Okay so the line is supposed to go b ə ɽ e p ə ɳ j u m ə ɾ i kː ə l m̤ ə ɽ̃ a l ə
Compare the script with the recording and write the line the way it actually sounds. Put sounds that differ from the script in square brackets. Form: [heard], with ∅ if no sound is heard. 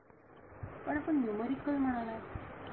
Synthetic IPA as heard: [p] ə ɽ [a] p ə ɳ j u m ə ɾ i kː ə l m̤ ə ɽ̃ a l [a]